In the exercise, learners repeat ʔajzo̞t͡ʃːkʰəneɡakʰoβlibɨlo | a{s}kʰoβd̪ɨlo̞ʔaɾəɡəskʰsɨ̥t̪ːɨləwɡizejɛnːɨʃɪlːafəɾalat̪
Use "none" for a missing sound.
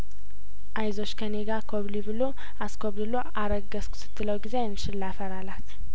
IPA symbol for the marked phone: s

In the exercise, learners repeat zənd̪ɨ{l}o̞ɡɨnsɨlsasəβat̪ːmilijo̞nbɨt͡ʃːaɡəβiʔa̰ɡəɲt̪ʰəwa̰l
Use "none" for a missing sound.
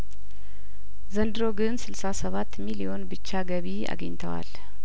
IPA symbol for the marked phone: ɾ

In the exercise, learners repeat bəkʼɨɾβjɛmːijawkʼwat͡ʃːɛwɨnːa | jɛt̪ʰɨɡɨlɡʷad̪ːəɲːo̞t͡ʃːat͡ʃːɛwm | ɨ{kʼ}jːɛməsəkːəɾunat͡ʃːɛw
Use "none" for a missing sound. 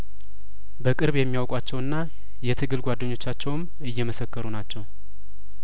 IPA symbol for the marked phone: none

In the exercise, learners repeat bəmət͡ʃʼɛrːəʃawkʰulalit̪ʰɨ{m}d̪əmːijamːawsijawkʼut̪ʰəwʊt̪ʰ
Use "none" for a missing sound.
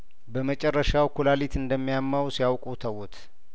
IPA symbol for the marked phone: n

